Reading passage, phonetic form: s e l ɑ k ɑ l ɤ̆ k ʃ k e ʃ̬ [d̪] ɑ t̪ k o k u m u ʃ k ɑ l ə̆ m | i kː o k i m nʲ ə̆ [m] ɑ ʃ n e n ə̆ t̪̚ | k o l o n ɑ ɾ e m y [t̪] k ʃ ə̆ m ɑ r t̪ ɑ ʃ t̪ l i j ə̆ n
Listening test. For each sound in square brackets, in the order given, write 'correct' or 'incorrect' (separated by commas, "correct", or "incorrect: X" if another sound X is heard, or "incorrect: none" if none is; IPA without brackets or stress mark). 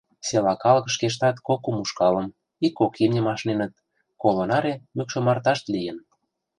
incorrect: t̪, correct, incorrect: none